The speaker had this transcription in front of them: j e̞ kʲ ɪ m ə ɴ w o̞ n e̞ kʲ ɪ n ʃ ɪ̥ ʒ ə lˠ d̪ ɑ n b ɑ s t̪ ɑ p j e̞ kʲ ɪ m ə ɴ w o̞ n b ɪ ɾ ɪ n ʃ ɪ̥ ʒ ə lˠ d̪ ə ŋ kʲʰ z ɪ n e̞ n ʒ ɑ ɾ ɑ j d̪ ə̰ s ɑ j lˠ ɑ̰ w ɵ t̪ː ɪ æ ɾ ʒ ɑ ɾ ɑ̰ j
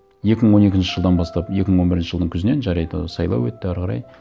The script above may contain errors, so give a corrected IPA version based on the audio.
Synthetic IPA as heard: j e̞ kʲ ɪ m ə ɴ w o̞ n e̞ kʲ ɪ n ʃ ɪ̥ ʒ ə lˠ d̪ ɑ n b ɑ s t̪ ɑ p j e̞ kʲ ɪ m ə ɴ w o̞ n b ɪ ɾ ɪ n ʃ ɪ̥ ʒ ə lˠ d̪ ə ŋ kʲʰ z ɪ n e̞ n ʒ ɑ ɾ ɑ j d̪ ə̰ s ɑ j lˠ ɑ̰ w ɵ t̪ː ɪ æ ɾ ʁ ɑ ɾ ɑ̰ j